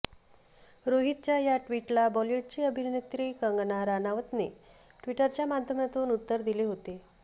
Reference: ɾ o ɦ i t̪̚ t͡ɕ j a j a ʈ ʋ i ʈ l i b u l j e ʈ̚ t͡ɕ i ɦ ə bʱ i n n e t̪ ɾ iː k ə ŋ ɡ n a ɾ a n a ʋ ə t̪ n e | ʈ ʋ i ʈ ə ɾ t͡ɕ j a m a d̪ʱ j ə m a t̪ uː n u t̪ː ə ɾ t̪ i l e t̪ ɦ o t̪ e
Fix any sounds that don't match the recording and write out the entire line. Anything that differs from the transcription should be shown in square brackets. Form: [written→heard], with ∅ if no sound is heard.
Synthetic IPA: ɾ o ɦ i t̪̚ t͡ɕ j a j a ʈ ʋ i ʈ l [i→a] b [u→ɔ] l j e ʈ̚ t͡ɕ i [ɦ→∅] ə bʱ i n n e t̪ ɾ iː k ə ŋ ɡ n a ɾ a n a ʋ ə t̪ n e | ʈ ʋ i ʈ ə ɾ t͡ɕ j a m a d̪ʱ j ə m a t̪ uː n u t̪ː ə ɾ [t̪→d̪] i l e [t̪→∅] ɦ o t̪ e